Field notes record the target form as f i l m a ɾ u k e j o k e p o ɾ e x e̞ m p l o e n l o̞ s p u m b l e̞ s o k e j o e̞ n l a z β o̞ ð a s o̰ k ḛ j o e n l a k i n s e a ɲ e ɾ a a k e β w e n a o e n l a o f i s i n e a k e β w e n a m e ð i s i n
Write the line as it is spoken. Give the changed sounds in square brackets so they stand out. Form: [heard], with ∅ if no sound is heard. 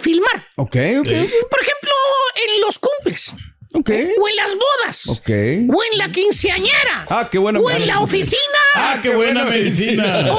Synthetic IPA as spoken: f i l m a ɾ [o] k e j o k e p o ɾ e x e̞ m p l o e n l o̞ s [k] u m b l e̞ s o k e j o e̞ n l a z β o̞ ð a s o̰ k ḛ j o e n l a k i n s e a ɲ e ɾ a a k e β w e n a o e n l a o f i s i n [a] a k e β w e n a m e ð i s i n